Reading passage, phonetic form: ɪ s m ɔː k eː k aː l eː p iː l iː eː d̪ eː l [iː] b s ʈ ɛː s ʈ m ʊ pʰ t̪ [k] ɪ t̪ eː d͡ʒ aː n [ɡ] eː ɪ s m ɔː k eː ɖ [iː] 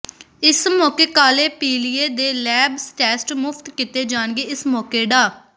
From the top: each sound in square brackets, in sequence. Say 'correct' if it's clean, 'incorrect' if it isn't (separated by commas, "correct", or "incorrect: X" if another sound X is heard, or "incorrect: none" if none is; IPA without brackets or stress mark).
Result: incorrect: ɛː, correct, correct, incorrect: aː